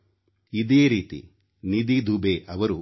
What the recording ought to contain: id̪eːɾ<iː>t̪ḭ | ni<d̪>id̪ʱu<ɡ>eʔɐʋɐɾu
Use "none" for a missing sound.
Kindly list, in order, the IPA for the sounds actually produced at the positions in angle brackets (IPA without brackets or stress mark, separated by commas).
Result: iː, d̪, b